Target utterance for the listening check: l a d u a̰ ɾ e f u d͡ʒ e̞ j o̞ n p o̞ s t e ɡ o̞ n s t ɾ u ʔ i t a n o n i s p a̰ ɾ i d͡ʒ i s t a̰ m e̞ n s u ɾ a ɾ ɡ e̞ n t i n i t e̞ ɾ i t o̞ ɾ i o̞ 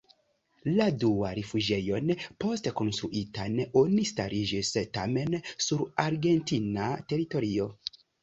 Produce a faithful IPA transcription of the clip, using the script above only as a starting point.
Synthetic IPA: l a d u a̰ ɾ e f u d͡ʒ e̞ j o̞ n p o̞ s t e k o̞ n s t ɾ u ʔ i t a n o n i s t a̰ ɾ i d͡ʒ i s t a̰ m e̞ n s u ɾ a ɾ ɡ e̞ n t i n a t e̞ ɾ i t o̞ ɾ i o̞